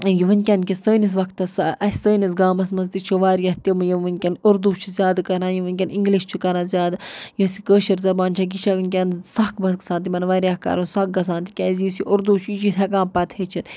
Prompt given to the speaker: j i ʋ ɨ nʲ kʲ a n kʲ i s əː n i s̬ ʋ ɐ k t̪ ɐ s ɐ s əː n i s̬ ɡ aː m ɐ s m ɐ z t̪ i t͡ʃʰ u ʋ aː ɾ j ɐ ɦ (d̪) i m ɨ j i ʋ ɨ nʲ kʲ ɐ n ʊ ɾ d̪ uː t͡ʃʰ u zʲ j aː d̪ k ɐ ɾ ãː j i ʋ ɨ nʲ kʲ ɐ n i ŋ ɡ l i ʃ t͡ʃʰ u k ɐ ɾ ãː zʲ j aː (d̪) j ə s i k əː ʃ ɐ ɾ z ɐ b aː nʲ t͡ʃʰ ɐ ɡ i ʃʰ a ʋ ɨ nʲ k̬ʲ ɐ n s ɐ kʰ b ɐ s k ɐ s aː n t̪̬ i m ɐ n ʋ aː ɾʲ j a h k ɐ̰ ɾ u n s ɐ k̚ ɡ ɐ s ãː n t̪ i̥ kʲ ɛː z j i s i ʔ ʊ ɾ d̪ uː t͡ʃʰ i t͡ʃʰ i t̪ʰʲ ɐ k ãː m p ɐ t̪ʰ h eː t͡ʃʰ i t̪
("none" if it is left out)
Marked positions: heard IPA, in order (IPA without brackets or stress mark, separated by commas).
t̪, d̪